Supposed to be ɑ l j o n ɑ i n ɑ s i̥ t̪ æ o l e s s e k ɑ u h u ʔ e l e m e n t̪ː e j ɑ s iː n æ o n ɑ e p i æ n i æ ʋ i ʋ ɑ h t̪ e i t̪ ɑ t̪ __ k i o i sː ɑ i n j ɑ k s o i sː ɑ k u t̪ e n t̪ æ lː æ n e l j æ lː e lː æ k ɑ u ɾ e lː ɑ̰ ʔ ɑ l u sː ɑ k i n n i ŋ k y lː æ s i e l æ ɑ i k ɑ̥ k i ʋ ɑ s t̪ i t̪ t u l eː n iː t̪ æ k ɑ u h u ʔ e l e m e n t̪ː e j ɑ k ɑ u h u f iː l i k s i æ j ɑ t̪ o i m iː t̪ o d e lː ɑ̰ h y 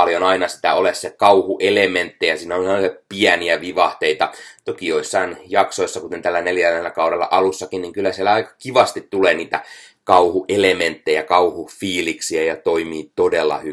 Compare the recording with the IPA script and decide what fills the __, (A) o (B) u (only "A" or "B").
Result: A